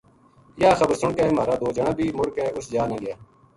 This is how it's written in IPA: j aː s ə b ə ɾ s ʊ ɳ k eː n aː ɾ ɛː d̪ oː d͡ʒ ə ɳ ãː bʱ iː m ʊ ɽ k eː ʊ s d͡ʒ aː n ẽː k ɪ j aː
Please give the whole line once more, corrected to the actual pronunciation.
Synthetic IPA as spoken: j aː x ə b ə ɾ s ʊ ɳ k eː m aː ɾ aː d̪ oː d͡ʒ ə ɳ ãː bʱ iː m ʊ ɽ k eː ʊ s d͡ʒ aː n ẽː ɡ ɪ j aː